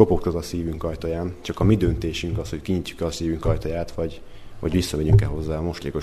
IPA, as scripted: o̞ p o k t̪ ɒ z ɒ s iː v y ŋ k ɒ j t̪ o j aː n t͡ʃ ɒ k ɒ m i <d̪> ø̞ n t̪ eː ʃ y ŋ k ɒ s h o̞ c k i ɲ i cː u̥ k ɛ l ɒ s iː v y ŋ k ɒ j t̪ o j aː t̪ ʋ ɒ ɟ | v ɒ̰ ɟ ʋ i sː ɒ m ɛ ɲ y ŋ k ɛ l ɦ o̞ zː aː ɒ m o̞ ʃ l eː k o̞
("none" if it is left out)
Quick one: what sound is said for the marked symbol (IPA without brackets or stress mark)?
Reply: d̪